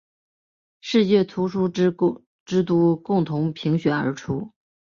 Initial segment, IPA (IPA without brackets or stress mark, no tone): ʂ